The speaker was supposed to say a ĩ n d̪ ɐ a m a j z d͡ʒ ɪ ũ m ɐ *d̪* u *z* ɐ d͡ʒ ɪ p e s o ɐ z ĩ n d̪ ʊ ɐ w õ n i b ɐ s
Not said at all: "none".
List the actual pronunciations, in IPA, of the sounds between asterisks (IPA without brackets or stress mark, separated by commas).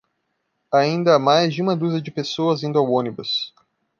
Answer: d̪, z